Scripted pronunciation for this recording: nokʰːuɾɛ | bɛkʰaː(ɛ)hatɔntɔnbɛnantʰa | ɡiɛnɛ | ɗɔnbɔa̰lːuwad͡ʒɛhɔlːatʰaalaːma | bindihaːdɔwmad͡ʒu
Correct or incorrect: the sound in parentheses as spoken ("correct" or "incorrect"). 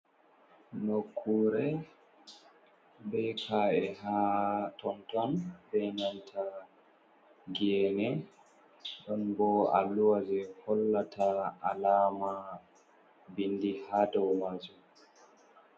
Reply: correct